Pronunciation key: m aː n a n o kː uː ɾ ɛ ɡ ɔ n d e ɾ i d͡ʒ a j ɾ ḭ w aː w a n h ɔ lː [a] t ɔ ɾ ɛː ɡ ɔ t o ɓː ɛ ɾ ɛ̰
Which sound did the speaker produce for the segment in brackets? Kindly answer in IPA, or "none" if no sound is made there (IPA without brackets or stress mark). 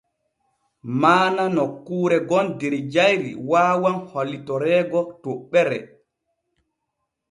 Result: i